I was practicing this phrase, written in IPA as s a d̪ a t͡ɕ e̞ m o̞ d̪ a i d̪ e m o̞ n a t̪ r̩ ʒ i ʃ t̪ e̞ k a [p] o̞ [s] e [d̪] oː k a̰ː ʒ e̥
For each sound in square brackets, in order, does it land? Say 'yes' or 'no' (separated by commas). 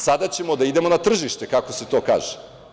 no, yes, no